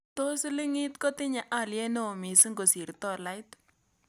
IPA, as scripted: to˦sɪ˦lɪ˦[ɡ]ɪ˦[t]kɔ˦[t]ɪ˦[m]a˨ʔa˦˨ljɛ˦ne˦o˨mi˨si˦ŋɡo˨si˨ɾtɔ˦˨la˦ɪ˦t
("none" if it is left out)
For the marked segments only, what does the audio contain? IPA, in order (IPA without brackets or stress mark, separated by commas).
ŋ, t, t, ɲ